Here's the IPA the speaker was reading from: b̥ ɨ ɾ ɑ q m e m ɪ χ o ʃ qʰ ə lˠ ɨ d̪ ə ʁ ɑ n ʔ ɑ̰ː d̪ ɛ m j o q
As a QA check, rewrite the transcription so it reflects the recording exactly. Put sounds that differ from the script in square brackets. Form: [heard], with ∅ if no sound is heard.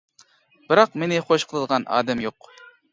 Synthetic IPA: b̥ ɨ ɾ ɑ q m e [n] ɪ χ o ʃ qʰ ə lˠ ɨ d̪ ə ʁ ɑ n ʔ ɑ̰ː d̪ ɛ m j o q